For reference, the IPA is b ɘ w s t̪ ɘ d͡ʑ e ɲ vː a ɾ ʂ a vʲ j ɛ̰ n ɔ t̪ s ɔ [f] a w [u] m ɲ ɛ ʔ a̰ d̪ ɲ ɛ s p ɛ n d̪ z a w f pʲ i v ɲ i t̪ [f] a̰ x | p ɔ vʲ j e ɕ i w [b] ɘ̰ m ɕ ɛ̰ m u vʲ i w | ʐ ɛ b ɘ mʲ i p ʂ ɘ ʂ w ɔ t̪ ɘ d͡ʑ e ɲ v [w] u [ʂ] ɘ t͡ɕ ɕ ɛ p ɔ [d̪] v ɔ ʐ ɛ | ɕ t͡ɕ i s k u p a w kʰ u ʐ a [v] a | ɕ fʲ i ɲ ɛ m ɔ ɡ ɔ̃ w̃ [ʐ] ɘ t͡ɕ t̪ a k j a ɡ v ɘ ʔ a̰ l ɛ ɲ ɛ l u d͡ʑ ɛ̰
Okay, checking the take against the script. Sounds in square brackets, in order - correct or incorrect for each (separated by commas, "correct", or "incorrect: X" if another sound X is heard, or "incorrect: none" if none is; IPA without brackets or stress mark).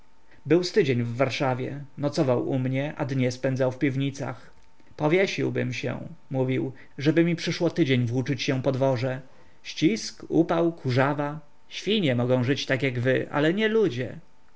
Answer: incorrect: v, correct, incorrect: s, correct, correct, incorrect: t͡ʂ, correct, correct, correct